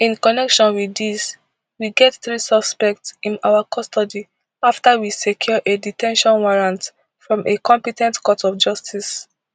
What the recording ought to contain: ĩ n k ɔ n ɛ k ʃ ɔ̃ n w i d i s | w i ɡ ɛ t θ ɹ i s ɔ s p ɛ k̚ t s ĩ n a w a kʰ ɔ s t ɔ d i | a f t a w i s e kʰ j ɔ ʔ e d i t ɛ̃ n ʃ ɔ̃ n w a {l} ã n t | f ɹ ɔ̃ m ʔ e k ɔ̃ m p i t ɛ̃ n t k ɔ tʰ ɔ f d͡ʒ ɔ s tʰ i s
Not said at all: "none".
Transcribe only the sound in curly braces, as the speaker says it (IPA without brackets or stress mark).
ɹ